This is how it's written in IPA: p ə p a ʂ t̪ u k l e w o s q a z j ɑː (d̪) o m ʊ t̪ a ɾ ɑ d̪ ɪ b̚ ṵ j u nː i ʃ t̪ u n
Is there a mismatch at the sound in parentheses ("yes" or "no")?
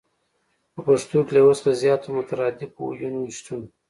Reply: yes